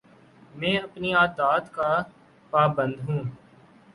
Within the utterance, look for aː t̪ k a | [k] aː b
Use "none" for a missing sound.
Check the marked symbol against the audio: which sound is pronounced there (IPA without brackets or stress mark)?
p